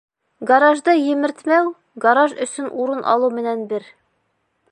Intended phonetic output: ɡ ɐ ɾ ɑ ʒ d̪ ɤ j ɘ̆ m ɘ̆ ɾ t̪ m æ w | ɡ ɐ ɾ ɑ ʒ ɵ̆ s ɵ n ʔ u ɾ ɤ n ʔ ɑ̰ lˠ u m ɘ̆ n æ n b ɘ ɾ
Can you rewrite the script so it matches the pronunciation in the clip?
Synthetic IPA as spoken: ɡ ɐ ɾ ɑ ʒ d̪ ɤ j ɘ̆ m ɘ̆ ɾ t̪ m æ w | ɡ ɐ ɾ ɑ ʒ ɵ̆ s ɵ n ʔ u ɾ ɤ n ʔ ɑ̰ lˠ u m ɘ̆ n æ n b ɘ ɾ